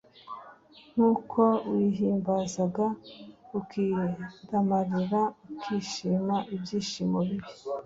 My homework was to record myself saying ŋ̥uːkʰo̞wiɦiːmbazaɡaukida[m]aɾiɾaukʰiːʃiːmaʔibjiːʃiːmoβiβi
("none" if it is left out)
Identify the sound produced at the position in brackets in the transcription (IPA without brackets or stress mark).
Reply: m